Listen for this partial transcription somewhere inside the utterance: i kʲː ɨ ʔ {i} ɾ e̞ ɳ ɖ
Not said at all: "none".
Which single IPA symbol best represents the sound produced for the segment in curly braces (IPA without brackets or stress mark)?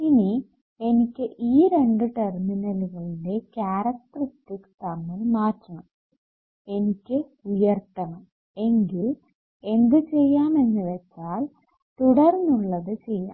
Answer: iː